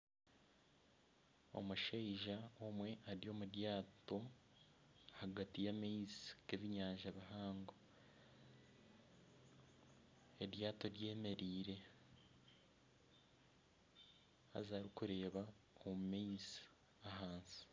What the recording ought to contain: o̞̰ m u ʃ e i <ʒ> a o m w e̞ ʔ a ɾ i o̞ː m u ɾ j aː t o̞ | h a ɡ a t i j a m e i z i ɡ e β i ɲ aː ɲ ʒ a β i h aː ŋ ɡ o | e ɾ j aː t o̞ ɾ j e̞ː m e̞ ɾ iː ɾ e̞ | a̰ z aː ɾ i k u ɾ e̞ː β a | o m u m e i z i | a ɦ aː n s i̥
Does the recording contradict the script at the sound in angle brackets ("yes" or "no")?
no